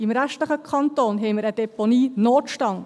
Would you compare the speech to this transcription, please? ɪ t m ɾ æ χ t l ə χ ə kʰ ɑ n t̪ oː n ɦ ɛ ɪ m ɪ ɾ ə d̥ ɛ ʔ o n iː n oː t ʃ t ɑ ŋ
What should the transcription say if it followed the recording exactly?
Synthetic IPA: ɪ m ɾ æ ʃ t l ə χ ə kʰ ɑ n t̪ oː n ɦ ɛ ɪ m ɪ ɾ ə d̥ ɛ p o n iː n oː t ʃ t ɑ ŋ